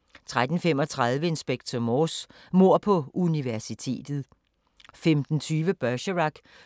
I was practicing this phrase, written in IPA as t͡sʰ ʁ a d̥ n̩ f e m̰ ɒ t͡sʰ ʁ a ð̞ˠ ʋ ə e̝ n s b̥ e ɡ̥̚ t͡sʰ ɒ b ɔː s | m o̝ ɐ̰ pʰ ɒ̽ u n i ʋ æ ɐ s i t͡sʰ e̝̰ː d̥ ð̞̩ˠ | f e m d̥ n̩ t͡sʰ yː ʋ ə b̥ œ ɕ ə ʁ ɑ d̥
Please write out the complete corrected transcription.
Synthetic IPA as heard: t͡sʰ ʁ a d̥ n̩ f e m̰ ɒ t͡sʰ ʁ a ð̞ˠ ʋ ə e̝ n s b̥ e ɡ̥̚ t͡sʰ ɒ m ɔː s | m o̝ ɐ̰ pʰ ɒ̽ u n i ʋ æ ɐ s i t͡sʰ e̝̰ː d̥ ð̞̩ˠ | f e m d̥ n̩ t͡sʰ yː ʋ ə b̥ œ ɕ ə ʁ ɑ ɡ̥